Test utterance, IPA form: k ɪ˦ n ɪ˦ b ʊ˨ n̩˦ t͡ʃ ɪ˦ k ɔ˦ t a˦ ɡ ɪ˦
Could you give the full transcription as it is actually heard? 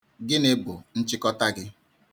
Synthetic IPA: ɡ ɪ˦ n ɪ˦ b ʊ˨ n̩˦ t͡ʃ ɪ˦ k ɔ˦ t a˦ ɡ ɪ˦